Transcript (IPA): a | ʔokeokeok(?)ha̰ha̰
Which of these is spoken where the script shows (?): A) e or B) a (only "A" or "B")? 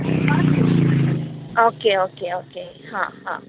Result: A